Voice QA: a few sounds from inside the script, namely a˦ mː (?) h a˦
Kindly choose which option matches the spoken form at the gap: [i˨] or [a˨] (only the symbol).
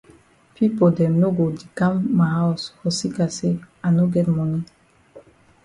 a˨